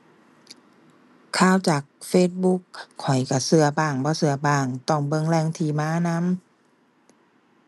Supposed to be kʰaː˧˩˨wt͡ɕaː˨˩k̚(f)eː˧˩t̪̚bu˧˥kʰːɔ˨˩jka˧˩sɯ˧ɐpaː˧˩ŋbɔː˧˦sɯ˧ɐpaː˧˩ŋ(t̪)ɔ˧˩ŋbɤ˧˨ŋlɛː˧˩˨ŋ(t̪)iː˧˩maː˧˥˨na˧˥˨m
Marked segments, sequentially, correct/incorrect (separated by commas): correct, correct, incorrect